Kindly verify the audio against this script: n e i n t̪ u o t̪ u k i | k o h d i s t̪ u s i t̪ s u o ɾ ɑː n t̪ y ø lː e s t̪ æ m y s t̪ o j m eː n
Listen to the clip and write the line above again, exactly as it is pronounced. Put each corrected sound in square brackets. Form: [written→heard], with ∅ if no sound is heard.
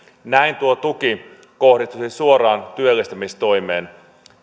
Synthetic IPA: n [e→æ] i n t̪ u o t̪ u k i | k o h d i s t̪ u s i [t̪→∅] s u o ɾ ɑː n t̪ y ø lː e s t̪ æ m [y→i] s t̪ o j m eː n